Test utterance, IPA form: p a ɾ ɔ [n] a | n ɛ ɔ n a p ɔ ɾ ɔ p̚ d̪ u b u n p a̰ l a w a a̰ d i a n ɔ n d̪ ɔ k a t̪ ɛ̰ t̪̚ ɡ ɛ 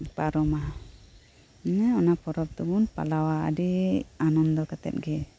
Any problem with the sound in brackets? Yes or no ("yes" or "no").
yes